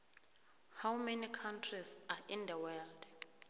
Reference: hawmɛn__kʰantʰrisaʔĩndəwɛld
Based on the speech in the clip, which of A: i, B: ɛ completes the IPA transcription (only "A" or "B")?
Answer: A